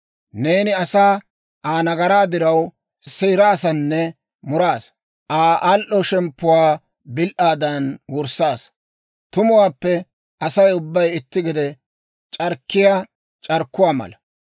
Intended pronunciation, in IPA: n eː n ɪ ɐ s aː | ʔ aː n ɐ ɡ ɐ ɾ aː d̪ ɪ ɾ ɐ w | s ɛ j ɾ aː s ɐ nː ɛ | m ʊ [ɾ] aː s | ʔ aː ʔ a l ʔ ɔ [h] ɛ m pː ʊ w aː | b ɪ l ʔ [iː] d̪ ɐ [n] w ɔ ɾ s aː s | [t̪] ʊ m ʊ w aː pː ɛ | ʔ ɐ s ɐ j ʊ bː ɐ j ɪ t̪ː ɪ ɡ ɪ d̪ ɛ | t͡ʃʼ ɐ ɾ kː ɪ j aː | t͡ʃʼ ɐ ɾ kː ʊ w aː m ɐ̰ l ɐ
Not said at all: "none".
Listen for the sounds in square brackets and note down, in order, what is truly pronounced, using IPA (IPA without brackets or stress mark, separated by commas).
ɾ, ʃ, aː, n, t̪